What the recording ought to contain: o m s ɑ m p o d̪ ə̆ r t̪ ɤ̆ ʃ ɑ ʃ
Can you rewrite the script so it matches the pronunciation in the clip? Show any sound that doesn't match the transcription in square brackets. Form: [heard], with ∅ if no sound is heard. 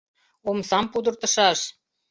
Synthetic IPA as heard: o m s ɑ m p [u] d̪ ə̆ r t̪ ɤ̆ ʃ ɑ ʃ